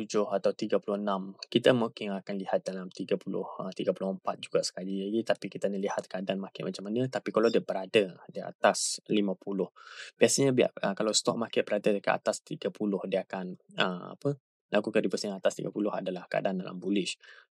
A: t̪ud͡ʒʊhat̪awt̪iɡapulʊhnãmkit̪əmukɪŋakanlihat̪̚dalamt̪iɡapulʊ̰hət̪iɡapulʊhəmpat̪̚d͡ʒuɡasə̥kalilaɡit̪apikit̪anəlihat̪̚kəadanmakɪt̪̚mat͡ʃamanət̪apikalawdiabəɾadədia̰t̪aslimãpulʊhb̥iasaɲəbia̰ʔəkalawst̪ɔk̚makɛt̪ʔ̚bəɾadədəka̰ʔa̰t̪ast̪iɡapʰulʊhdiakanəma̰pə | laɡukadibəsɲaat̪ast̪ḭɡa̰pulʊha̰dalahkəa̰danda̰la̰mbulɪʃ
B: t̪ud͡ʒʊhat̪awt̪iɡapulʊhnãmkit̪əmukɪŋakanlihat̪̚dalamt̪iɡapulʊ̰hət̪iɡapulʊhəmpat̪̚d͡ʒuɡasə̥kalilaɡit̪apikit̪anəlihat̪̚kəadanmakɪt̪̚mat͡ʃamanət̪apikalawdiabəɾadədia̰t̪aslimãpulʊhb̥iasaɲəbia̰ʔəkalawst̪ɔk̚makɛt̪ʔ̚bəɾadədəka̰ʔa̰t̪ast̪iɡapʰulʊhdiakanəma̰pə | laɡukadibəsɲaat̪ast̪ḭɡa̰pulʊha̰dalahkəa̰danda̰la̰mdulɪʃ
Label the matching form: A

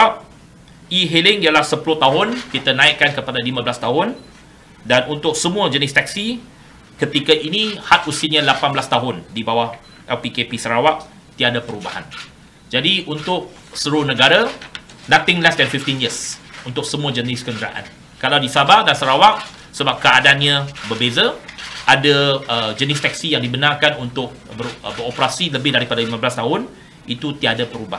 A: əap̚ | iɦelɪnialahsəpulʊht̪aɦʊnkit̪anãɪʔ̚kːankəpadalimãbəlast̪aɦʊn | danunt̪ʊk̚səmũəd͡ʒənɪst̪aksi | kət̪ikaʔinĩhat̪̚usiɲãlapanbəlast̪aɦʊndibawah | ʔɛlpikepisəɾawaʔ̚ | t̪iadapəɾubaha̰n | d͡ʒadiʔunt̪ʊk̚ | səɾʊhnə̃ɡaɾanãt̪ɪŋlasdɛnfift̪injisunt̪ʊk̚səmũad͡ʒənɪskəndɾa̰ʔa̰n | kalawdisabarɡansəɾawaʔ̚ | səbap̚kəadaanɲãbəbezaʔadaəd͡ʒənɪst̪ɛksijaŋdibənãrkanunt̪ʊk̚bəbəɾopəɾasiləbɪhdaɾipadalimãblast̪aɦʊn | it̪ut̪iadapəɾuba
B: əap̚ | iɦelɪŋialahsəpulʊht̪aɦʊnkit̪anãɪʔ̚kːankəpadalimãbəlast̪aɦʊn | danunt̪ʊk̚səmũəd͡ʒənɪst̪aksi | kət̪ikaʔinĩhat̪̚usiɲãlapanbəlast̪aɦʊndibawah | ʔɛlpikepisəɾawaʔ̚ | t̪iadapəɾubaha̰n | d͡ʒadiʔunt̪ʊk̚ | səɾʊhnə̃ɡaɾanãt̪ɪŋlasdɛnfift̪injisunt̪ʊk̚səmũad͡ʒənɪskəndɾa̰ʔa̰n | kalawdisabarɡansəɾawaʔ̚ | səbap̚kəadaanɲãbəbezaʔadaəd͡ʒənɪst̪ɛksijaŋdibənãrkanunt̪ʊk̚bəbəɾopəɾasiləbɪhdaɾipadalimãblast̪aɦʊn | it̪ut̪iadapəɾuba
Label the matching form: B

